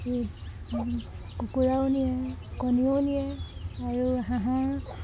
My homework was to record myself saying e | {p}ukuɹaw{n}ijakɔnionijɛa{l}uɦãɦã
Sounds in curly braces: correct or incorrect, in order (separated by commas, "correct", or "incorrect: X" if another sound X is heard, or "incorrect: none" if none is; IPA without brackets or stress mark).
incorrect: k, correct, incorrect: ɹ